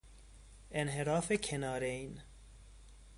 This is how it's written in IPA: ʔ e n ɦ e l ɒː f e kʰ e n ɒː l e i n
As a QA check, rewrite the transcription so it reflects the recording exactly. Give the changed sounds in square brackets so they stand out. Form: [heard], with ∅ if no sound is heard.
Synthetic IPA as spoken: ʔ e n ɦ e [ɾ] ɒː f e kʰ e n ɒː [ɾ] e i n